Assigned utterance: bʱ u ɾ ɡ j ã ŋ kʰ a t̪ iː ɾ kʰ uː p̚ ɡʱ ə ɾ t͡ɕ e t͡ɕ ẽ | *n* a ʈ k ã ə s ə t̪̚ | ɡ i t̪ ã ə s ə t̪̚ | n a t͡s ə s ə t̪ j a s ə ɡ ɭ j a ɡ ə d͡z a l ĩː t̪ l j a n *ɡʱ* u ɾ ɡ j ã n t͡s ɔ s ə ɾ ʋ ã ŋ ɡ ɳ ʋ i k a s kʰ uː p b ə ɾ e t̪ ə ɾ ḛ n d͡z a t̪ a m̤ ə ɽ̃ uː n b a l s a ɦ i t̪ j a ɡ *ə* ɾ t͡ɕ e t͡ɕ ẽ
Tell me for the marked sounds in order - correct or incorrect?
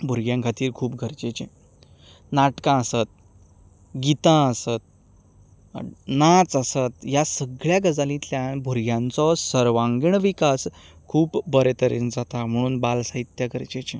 correct, incorrect: bʱ, correct

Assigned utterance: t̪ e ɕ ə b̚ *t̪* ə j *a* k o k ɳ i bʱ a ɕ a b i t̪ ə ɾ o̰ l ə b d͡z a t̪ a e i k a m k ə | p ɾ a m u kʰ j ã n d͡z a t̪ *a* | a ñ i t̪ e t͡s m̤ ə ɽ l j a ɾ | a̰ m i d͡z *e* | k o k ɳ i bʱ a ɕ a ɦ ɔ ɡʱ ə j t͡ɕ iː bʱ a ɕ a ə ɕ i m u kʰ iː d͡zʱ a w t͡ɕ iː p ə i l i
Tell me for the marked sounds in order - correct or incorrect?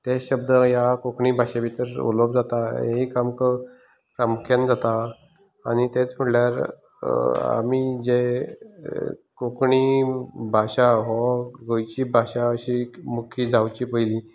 incorrect: d̪, correct, correct, correct

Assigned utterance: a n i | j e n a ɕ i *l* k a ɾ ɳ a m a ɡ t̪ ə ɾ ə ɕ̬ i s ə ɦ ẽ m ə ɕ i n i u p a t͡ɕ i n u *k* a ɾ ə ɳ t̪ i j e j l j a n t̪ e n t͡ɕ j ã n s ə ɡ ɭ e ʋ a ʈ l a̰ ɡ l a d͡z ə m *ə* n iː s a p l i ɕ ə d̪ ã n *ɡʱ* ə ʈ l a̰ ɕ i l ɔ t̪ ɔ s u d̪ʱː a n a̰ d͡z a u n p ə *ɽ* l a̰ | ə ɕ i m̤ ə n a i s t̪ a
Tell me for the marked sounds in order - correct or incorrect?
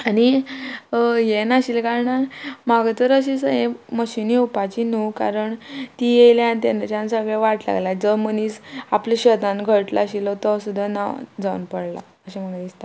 correct, correct, correct, correct, correct

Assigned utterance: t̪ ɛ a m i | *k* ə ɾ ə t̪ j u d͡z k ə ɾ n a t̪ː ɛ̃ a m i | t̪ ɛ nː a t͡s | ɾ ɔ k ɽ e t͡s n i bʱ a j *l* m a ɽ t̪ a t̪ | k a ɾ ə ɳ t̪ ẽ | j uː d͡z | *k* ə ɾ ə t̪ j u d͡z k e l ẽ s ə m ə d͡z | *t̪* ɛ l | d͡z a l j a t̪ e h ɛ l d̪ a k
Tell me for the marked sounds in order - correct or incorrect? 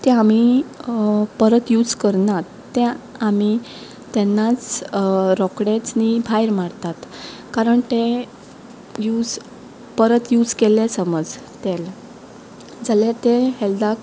incorrect: p, incorrect: ɾ, incorrect: p, correct

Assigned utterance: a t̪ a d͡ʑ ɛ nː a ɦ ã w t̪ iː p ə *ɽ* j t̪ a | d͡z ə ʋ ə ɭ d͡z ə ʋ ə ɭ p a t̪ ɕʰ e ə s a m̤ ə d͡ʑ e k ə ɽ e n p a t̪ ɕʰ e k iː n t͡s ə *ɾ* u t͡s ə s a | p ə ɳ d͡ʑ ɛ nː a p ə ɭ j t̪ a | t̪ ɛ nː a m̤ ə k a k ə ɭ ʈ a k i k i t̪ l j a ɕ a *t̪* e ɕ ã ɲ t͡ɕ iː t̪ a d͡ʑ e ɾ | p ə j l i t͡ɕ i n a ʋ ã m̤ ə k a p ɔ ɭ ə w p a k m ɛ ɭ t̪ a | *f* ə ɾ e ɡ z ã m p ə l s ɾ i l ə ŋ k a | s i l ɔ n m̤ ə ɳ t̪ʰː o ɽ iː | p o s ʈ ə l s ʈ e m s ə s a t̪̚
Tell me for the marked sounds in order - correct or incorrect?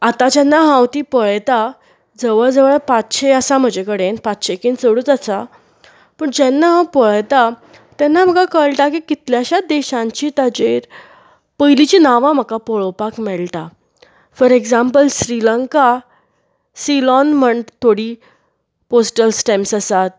incorrect: ɭ, incorrect: ɽ, incorrect: d̪, correct

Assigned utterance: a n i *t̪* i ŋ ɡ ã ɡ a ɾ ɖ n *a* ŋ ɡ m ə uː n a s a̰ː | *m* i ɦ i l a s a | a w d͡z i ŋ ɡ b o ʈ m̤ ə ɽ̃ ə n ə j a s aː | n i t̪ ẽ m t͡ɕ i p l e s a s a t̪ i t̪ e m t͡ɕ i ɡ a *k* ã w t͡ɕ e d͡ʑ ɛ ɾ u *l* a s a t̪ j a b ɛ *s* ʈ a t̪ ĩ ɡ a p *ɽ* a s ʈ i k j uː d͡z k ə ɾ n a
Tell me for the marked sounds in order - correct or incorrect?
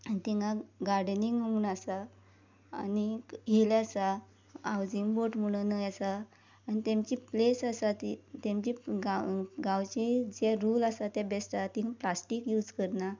correct, incorrect: i, incorrect: n, incorrect: ɡ, correct, correct, incorrect: l

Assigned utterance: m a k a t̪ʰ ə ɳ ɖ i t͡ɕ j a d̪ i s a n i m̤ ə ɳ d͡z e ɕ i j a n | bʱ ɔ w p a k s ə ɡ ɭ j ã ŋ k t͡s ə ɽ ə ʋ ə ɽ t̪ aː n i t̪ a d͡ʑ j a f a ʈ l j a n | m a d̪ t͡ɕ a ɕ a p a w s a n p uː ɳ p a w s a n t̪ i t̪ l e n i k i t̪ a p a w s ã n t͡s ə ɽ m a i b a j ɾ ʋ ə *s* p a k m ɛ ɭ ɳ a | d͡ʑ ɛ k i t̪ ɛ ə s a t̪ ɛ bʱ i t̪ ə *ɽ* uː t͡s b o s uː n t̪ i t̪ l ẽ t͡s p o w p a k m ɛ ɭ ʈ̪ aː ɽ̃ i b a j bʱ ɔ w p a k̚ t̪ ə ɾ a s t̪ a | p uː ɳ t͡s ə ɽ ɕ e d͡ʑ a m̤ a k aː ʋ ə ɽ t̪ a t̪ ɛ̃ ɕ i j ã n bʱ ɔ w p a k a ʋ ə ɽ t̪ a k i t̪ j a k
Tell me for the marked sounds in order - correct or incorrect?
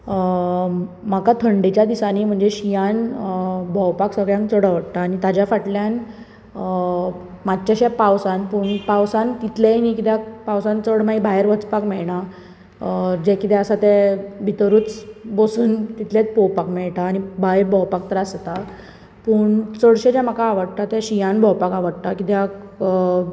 incorrect: t͡s, incorrect: ɾ

